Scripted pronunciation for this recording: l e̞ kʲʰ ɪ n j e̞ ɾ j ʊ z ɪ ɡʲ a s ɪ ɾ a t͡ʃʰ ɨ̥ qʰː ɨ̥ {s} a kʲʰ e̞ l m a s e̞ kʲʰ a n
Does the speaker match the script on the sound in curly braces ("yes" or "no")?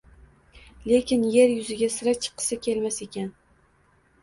yes